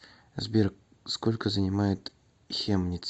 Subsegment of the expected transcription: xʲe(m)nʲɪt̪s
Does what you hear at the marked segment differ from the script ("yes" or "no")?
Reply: no